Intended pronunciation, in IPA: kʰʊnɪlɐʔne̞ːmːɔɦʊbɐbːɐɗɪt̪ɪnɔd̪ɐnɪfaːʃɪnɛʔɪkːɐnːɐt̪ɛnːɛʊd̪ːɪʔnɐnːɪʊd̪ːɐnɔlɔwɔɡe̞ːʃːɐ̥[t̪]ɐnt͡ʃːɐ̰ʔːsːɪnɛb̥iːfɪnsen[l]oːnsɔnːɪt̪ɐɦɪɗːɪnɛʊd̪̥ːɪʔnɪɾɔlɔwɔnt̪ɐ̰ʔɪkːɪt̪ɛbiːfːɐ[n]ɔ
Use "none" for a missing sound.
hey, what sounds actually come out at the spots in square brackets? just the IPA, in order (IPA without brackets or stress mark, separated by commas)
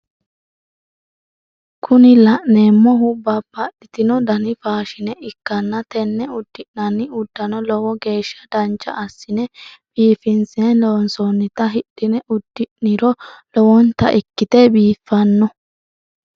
d̪, l, nː